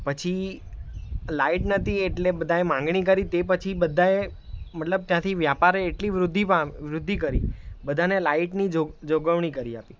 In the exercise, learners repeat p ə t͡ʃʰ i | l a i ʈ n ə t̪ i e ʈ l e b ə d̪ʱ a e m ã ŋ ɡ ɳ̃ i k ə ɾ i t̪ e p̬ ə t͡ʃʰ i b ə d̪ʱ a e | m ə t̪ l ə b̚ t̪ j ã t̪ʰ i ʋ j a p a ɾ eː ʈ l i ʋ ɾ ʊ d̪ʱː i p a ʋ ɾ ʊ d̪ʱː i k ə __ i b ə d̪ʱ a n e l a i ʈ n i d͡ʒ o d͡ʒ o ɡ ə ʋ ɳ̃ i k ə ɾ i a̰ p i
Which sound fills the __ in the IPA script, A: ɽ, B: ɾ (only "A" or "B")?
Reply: B